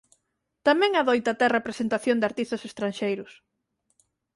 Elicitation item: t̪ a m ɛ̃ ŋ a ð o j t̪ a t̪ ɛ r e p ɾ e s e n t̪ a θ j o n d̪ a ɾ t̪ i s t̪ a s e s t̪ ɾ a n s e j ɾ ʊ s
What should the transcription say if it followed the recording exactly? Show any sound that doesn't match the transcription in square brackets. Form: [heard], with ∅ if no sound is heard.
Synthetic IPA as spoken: t̪ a m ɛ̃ ŋ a ð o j t̪ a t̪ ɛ r e p ɾ e s e n t̪ a θ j o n d̪ a ɾ t̪ i s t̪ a s e s t̪ ɾ a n [ʃ] e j ɾ ʊ s